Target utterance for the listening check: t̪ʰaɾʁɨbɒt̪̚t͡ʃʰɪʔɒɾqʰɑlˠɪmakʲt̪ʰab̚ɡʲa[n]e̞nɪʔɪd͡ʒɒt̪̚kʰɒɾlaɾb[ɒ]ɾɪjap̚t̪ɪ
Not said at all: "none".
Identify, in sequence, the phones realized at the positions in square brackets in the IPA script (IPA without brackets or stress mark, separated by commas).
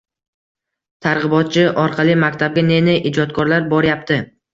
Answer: n, ɒ